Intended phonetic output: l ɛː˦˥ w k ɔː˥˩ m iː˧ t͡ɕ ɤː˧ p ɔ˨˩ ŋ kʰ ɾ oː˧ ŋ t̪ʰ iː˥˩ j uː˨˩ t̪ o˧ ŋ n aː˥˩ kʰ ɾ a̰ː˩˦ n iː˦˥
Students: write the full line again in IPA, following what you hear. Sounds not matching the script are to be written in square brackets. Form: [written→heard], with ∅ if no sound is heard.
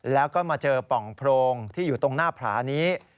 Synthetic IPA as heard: l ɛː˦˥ w k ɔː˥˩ m [iː˧→aː˧] t͡ɕ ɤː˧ p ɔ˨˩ ŋ [kʰ→pʰ] ɾ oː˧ ŋ t̪ʰ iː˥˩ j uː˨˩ t̪ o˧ ŋ n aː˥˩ [kʰ→pʰ] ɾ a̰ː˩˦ n iː˦˥